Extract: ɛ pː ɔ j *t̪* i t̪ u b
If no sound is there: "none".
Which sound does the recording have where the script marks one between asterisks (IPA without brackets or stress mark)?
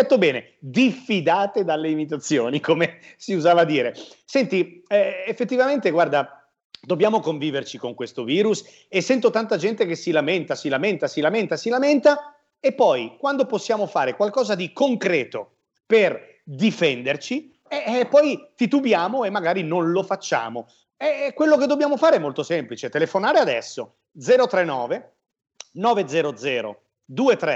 t̪